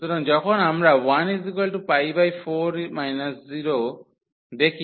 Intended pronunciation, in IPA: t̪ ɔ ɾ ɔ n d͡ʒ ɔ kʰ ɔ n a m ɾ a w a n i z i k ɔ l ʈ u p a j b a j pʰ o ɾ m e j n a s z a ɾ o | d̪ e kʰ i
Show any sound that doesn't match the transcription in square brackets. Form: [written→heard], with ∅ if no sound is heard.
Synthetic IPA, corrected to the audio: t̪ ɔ ɾ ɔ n d͡ʒ ɔ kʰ ɔ n a m ɾ a w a n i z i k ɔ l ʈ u p a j b a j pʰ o ɾ m [e→a] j n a s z [a→i] ɾ o | d̪ e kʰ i